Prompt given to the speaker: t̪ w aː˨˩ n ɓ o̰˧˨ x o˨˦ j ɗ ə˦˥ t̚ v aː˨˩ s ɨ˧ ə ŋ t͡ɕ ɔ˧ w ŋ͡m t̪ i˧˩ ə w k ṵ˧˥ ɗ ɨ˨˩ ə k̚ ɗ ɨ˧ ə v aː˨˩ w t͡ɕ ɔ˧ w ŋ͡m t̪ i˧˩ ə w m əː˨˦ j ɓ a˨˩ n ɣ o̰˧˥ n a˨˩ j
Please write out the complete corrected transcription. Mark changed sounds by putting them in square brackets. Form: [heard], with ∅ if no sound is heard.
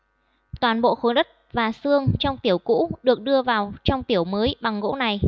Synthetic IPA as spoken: t̪ w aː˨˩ n ɓ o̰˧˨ x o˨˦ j ɗ ə˦˥ t̚ v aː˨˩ s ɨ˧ ə ŋ t͡ɕ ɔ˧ w ŋ͡m t̪ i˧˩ ə w k ṵ˧˥ ɗ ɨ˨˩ ə k̚ ɗ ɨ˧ ə v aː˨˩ w t͡ɕ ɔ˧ w ŋ͡m t̪ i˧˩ ə w m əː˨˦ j ɓ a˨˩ [ŋ] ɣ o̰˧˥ n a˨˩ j